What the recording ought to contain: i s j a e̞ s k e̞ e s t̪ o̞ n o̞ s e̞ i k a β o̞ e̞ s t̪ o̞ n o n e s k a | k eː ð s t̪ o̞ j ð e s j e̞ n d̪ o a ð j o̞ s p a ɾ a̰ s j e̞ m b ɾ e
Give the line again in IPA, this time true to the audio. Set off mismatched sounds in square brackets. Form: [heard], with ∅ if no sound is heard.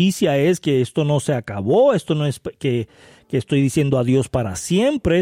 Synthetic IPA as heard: i s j a e̞ s k e̞ e s t̪ o̞ n o̞ s e̞ [a] k a β o̞ e̞ s t̪ o̞ n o [∅] e s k [e] | k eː [∅] s t̪ o̞ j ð [i] s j e̞ n d̪ o a ð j o̞ s p a ɾ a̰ s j e̞ m [p] ɾ e